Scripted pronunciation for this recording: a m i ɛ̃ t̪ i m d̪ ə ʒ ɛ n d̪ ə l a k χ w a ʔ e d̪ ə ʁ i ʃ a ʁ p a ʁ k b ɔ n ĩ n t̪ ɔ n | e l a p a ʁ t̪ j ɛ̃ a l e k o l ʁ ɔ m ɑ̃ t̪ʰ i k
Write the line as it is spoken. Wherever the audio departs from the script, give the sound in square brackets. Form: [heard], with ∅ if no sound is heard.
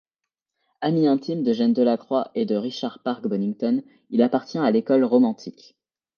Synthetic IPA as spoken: a m i ɛ̃ t̪ i m d̪ ə ʒ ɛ n d̪ ə l a k χ w a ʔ e d̪ ə ʁ i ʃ a ʁ p a ʁ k b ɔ n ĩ [ŋ] t̪ ɔ n | [i] l a p a ʁ t̪ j ɛ̃ a l e k [ɔ] l ʁ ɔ m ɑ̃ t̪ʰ i k